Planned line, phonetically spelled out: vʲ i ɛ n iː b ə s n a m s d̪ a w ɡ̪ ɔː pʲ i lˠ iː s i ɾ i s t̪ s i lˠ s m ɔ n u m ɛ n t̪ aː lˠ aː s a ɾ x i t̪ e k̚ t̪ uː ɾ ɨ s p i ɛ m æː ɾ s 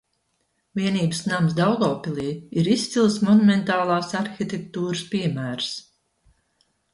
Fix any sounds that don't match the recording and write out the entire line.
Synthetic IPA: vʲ i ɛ n iː b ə s n a m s d̪ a w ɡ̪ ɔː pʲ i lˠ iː i ɾ i s t̪ s i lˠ s m ɔ n u m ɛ n t̪ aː lˠ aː s a ɾ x i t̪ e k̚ t̪ uː ɾ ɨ s p i ɛ m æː ɾ s